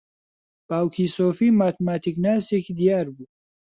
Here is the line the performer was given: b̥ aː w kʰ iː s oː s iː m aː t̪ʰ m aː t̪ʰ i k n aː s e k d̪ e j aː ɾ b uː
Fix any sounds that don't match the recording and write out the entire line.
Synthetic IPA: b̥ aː w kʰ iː s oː f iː m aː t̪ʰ m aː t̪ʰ i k n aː s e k d̪ i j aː ɾ b uː